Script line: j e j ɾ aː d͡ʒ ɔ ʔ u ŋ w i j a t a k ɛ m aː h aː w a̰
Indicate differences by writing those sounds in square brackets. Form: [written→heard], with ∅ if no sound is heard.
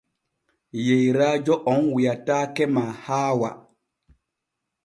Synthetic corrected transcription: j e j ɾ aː d͡ʒ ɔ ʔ [u→ɔ] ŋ w i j a t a k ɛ m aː h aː w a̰

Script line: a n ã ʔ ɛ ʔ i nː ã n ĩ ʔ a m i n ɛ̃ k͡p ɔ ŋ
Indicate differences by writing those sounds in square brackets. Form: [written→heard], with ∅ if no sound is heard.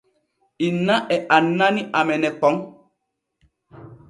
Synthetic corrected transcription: [a→i] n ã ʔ ɛ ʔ [i→a] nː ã n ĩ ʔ a m [i→ɛ] n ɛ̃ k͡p ɔ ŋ

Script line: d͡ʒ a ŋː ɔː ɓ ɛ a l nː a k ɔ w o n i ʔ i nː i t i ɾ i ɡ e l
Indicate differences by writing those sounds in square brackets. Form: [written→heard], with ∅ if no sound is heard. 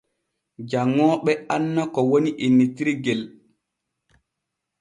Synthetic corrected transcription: d͡ʒ a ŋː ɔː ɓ ɛ a [l→∅] nː a k ɔ w o n i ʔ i nː i t i ɾ i ɡ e l

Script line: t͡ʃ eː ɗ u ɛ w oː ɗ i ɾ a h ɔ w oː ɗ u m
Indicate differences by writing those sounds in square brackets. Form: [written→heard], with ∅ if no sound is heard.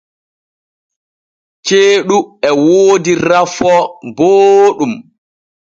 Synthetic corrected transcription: t͡ʃ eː ɗ u ɛ w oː [ɗ→d] i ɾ a [h→f] ɔ [w→b] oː ɗ u m

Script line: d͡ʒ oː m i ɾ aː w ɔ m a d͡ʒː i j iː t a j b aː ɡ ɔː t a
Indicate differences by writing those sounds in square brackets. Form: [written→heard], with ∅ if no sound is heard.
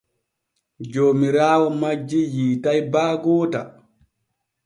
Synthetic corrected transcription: d͡ʒ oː m i ɾ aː w ɔ m a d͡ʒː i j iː t a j b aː ɡ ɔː t a

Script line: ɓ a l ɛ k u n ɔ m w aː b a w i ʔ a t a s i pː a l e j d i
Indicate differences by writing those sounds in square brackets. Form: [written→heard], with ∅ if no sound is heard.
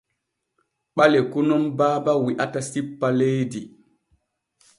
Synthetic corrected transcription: ɓ a l ɛ k u n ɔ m [w→b] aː b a w i ʔ a t a s i pː a l e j d i

